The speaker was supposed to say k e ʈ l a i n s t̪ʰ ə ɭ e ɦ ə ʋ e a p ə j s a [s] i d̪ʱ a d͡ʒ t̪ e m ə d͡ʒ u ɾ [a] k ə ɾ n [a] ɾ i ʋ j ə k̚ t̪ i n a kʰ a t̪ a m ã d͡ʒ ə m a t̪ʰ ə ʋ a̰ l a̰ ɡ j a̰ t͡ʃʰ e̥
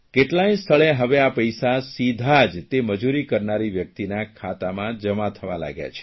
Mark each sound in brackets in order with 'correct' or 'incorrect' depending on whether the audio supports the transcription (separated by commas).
correct, incorrect, correct